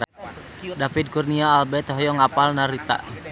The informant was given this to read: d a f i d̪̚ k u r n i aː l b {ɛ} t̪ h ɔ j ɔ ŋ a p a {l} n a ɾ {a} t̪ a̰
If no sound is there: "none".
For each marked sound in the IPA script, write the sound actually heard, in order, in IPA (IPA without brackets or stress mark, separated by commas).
ɛ, l, i